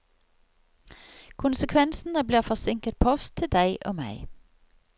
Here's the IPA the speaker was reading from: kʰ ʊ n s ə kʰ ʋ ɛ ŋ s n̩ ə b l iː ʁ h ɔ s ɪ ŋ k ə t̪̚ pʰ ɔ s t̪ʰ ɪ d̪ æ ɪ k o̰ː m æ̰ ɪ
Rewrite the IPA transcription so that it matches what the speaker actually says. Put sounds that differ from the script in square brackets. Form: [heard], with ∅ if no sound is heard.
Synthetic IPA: kʰ ʊ n s ə kʰ ʋ ɛ [n] s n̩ ə b l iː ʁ [f] ɔ s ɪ ŋ k ə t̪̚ pʰ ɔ s t̪ʰ ɪ d̪ æ ɪ [ʔ] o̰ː m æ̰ ɪ

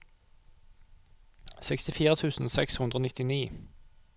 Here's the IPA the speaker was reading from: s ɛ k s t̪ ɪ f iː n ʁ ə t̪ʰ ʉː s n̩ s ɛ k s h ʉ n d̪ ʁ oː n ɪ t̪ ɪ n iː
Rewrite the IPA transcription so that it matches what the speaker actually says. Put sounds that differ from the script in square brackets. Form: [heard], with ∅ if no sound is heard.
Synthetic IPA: s ɛ k s t̪ ɪ f iː [∅] ʁ ə t̪ʰ ʉː s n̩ s ɛ k s h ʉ n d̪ ʁ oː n ɪ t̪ ɪ n iː

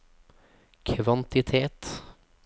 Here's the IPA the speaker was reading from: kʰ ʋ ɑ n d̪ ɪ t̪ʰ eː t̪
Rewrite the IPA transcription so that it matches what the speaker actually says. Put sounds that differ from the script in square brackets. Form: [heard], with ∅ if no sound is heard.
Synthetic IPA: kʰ ʋ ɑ n [t̪] ɪ t̪ʰ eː t̪

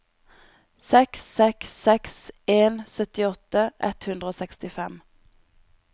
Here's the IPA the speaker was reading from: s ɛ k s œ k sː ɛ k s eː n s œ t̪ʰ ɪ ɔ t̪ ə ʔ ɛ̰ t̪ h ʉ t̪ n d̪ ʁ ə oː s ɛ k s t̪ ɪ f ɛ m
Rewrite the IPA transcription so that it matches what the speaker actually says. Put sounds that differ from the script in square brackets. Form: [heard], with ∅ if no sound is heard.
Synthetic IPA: s ɛ k s [ɛ] k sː ɛ k s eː n s œ [t̪] ɪ ɔ t̪ ə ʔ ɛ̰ t̪ h ʉ [∅] n d̪ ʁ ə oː s ɛ k s t̪ ɪ f ɛ m

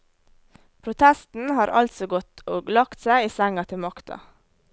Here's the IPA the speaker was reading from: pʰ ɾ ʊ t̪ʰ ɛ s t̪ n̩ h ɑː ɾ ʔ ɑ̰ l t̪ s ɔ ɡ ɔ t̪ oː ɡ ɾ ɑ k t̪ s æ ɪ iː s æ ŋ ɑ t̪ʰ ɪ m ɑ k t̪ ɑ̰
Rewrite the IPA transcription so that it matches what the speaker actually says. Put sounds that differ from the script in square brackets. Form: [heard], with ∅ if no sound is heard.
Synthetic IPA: pʰ ɾ ʊ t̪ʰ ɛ s t̪ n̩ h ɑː ɾ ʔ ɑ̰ l t̪ s ɔ ɡ ɔ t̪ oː ɡ [l] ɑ k t̪ s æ ɪ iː s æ ŋ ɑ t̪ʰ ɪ m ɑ k t̪ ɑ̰

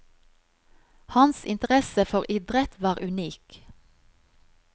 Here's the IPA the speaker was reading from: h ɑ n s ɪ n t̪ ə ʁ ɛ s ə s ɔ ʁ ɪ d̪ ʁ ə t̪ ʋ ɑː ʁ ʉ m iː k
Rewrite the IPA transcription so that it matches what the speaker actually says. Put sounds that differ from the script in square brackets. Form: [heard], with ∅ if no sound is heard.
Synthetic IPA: h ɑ n s ɪ n t̪ ə ʁ ɛ s ə [f] ɔ ʁ ɪ d̪ ʁ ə t̪ ʋ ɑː ʁ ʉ [n] iː k

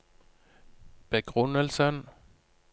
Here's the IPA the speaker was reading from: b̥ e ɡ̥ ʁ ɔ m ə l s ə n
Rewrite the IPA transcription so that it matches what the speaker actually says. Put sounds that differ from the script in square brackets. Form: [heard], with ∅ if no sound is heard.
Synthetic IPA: b̥ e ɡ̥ ʁ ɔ [n] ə l s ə n

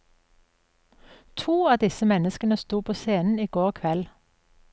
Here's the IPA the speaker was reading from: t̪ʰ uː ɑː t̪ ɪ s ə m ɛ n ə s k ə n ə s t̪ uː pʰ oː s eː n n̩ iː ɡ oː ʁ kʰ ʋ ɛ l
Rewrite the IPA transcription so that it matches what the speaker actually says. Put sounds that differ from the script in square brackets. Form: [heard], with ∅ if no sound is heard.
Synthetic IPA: t̪ʰ uː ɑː [d̪] ɪ s ə m ɛ n ə s k ə n ə s t̪ uː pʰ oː s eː n n̩ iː ɡ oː ʁ kʰ ʋ ɛ l

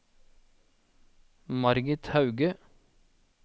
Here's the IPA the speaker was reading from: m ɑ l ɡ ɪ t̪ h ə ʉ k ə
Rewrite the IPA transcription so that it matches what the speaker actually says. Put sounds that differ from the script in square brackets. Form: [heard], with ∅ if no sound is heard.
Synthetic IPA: m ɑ [ɾ] ɡ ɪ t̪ h [ɑ] ʉ [ɡ] ə

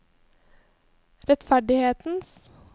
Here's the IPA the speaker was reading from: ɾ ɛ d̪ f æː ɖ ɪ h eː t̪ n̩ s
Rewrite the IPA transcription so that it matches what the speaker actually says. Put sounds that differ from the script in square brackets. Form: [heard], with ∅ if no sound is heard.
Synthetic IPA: ɾ ɛ [t̪] f [æ] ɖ ɪ h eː t̪ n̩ s

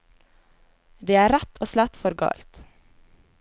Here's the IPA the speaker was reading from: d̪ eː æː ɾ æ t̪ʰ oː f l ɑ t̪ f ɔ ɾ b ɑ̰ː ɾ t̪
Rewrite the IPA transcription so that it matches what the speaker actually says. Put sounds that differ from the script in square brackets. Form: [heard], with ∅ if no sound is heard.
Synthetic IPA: d̪ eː æː ɾ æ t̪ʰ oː [s] l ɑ t̪ f ɔ ɾ [ɡ] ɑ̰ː [l] t̪

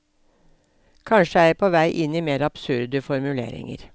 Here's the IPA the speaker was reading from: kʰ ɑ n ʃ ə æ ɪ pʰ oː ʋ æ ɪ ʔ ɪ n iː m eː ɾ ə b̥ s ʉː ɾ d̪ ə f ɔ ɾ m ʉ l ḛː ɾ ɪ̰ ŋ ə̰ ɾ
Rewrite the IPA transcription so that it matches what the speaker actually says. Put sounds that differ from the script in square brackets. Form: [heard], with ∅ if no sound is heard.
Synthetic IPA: kʰ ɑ n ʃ ə æ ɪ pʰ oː ʋ æ ɪ ʔ ɪ n iː m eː ɾ [ɑ] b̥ s [ʉ] ɾ d̪ ə f ɔ ɾ m ʉ l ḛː ɾ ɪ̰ ŋ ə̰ ɾ

